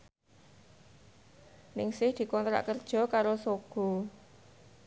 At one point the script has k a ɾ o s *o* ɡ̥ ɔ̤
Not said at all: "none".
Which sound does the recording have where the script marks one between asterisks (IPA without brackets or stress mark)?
o